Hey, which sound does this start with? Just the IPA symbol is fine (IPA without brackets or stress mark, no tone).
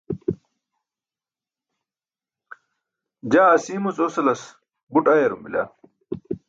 d͡ʑ